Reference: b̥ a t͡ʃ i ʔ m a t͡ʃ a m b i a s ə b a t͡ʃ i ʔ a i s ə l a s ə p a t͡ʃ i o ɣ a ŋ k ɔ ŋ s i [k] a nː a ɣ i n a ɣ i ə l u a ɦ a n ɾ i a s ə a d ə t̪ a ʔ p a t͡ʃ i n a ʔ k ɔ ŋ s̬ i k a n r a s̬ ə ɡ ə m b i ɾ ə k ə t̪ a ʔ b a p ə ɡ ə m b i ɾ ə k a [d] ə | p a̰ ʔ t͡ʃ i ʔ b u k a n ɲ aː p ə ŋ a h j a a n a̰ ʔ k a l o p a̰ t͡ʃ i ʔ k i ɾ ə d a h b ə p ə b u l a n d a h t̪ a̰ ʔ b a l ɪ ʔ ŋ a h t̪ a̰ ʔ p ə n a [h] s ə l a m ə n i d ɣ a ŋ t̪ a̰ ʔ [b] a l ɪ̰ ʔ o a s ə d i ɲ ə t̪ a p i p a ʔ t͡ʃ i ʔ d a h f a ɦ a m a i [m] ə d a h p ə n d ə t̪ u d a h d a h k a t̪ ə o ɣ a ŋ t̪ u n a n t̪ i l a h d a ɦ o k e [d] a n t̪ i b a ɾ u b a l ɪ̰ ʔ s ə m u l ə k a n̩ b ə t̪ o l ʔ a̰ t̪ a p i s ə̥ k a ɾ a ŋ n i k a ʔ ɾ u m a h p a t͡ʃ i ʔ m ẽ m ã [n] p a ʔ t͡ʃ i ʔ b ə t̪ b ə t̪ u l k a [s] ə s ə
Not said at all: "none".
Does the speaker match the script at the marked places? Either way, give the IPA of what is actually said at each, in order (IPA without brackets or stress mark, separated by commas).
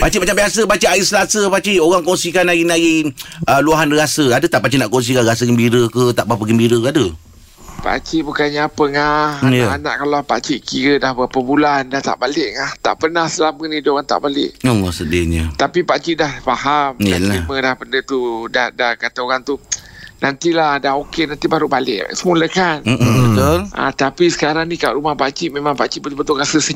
k, d, h, b, m, n, ŋ, s